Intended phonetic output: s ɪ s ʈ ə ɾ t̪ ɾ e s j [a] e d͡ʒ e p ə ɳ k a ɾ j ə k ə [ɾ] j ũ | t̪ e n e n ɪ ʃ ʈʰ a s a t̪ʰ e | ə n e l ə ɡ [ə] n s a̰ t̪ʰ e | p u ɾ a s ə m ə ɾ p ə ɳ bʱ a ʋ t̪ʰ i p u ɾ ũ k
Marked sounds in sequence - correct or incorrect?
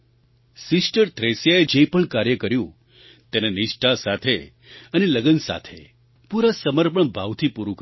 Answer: correct, correct, correct

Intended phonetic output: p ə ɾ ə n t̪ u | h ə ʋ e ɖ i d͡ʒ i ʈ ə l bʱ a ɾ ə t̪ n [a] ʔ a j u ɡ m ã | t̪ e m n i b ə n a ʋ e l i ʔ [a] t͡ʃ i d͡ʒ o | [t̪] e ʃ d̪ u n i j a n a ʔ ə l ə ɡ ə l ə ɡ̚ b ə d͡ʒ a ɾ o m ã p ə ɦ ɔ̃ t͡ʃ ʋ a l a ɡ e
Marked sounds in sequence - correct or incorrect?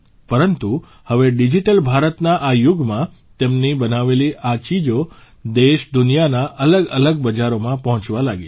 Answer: correct, correct, incorrect: d̪

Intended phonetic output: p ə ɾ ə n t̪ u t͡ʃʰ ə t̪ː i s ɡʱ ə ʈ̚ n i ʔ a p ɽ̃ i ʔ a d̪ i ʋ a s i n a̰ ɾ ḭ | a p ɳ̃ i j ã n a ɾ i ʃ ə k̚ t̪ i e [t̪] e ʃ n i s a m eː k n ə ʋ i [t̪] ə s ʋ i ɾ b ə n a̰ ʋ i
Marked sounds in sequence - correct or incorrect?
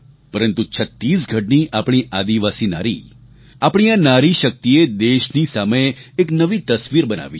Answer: incorrect: d̪, correct

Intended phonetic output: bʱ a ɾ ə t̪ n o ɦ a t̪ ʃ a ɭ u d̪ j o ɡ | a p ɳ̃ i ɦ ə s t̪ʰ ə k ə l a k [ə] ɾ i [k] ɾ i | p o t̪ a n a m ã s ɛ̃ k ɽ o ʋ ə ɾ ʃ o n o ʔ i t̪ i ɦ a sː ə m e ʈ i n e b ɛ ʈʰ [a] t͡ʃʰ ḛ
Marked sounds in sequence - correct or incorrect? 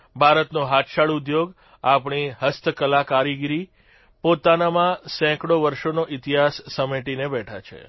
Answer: incorrect: a, incorrect: ɡ, correct

